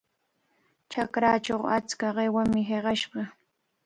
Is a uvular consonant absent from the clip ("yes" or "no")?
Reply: no